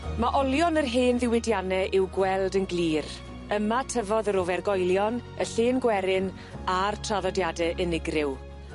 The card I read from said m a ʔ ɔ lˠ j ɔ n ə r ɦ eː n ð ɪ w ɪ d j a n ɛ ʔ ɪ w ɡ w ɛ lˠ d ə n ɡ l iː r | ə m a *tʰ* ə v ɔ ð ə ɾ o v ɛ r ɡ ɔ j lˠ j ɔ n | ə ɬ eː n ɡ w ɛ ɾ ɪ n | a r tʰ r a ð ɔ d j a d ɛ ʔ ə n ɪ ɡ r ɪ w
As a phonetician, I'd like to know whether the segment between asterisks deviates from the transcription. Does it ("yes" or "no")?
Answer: no